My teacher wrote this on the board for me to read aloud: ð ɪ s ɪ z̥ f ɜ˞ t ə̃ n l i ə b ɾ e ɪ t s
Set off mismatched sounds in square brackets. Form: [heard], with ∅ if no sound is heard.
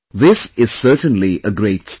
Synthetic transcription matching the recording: ð ɪ s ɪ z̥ [s] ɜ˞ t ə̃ n l i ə [ɡ] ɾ e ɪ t s